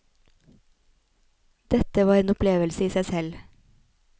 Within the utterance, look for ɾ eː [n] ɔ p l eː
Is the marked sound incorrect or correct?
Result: correct